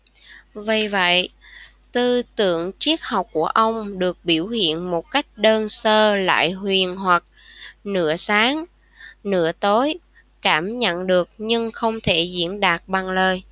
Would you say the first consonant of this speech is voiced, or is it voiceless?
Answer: voiced